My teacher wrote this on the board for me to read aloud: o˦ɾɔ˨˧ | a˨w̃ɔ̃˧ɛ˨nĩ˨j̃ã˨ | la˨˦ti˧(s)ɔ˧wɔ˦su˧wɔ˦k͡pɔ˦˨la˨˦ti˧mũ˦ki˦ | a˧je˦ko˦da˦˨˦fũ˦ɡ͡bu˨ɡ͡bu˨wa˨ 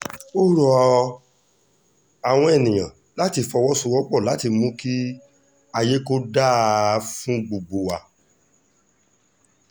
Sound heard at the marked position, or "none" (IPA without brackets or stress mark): f